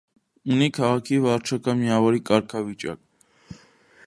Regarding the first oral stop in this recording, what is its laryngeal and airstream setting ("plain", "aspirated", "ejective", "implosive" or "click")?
aspirated